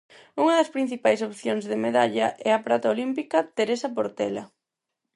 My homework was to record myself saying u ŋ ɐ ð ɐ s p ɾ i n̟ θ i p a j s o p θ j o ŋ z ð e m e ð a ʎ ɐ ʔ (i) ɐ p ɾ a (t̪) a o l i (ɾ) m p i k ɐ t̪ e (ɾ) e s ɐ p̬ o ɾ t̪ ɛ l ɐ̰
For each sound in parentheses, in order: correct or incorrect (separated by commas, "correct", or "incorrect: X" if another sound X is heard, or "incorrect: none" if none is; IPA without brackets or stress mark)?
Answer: incorrect: ɛ, correct, incorrect: none, correct